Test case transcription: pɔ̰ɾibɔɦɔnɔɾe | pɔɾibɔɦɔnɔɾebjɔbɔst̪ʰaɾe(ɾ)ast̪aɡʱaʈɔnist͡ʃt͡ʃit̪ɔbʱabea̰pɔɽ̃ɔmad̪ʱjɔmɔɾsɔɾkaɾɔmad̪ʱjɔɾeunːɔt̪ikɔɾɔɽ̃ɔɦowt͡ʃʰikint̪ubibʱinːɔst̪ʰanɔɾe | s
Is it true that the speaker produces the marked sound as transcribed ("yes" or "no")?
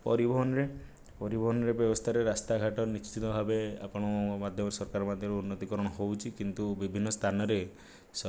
yes